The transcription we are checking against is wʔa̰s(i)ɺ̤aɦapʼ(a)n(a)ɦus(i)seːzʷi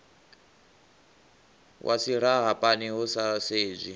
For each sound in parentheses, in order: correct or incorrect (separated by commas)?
correct, correct, incorrect, incorrect